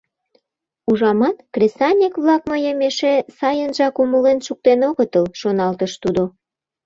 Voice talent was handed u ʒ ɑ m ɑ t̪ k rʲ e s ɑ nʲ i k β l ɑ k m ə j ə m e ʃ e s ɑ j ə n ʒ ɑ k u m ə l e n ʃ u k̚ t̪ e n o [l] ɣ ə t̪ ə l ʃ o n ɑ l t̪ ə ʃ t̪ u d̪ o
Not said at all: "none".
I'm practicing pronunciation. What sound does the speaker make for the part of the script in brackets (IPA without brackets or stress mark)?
none